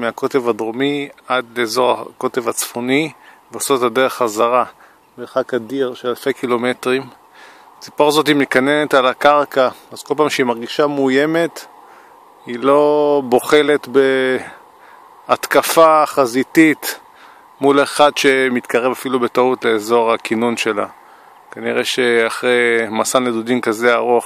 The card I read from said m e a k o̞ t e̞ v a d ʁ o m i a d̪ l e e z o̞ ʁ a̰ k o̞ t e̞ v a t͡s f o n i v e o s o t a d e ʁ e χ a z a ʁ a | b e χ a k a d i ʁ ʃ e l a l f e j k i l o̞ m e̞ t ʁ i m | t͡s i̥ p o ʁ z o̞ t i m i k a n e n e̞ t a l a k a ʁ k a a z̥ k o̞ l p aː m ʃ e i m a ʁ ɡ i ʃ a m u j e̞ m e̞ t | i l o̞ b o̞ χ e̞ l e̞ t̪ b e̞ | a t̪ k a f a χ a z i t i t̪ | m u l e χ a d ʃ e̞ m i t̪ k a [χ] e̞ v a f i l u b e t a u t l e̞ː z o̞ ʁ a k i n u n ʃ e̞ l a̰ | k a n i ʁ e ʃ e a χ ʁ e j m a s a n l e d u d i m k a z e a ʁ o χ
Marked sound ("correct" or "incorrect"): incorrect